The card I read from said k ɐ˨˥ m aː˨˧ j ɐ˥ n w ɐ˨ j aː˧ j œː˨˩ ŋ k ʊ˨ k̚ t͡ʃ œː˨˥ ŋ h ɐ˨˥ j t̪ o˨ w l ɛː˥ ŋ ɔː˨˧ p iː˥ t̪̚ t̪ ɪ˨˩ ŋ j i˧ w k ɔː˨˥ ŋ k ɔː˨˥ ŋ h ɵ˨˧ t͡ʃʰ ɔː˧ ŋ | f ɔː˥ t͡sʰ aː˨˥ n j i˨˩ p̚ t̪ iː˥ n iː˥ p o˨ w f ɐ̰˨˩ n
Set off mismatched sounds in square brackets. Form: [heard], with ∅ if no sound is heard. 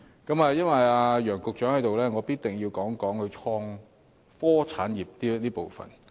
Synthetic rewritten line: k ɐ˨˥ m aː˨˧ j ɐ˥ n w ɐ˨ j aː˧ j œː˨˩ ŋ k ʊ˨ k̚ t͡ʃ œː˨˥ ŋ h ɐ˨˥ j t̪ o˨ w l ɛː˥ ŋ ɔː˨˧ p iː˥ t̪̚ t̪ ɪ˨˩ ŋ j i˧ w k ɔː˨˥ ŋ k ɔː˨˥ ŋ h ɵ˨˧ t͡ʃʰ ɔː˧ ŋ | f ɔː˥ t͡sʰ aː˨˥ n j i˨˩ p̚ t̪ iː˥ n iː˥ p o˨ w f ɐ̰˨˩ n